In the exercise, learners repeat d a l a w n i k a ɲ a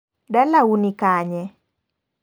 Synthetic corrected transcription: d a l a u n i k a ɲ ɛ